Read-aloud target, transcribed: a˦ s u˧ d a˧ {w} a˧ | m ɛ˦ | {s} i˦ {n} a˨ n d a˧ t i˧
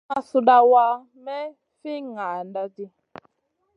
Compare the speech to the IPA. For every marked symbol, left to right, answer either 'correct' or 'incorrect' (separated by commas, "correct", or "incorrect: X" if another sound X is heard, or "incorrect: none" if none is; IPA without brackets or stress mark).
correct, incorrect: f, incorrect: ŋ